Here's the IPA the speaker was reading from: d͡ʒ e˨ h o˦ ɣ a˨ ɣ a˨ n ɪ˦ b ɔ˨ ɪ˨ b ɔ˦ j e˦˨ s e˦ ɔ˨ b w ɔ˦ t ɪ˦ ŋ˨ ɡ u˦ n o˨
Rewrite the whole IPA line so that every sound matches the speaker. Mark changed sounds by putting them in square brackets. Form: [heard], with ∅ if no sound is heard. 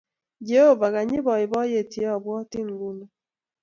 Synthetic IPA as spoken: d͡ʒ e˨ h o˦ [v] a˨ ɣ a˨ [ɲ] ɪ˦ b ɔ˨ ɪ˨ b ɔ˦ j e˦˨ [t] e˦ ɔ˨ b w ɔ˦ t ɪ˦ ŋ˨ ɡ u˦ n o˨